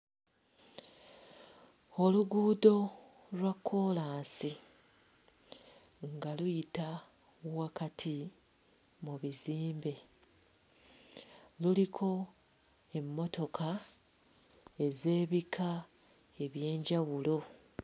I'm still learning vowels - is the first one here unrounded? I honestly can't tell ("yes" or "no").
no